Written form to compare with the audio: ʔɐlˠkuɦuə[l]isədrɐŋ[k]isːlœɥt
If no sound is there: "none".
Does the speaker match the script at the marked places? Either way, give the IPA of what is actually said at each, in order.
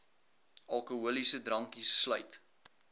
l, k

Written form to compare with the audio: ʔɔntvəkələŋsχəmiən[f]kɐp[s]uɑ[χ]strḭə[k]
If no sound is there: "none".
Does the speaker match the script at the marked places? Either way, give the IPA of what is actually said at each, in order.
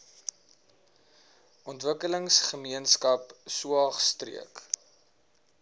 s, s, χ, k

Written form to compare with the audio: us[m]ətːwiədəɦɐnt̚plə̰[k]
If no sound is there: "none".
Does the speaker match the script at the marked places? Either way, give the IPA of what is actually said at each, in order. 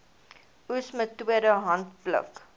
m, k

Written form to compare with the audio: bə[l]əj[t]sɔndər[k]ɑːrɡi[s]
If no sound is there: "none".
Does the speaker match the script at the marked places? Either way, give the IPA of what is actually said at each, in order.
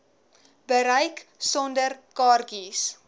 ɾ, k, k, s

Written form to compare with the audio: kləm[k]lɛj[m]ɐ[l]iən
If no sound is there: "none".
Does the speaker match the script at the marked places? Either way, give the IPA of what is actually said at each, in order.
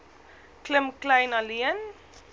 k, n, l

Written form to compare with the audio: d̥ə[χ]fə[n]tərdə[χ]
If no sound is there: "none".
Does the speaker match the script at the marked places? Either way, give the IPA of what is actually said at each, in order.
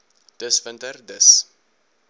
s, n, s

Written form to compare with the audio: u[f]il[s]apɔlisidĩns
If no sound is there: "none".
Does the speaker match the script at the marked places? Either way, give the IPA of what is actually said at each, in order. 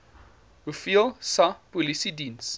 f, s

